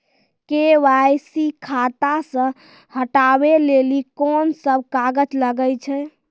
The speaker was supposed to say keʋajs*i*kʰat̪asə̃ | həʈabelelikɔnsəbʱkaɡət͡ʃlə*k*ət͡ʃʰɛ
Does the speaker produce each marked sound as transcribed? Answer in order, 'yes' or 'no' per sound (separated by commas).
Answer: yes, no